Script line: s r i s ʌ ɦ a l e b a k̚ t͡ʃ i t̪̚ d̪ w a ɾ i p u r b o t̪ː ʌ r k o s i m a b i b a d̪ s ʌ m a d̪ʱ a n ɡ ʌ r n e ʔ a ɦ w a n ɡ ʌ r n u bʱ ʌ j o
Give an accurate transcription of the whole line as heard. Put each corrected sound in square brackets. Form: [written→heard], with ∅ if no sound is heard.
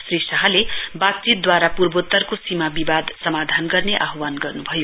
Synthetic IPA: s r i s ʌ ɦ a l e b a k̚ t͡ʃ i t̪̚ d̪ w a ɾ [i→a] p u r b o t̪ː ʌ r k o s i m a b i b a d̪ s ʌ m a d̪ʱ a n ɡ ʌ r n e ʔ a ɦ w a n ɡ ʌ r n u bʱ ʌ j o